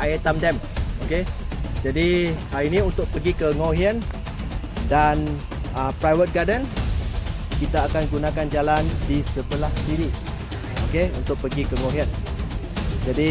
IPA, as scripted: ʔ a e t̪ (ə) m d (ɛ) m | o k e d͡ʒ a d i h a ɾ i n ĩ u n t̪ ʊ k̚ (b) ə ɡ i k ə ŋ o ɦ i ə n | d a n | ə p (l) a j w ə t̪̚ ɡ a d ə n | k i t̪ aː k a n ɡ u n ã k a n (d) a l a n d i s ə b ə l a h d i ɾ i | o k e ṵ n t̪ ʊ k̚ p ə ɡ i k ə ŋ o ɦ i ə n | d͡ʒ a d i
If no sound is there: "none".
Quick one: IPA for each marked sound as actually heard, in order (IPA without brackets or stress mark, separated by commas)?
a, ɛ, p, ɾ, d͡ʒ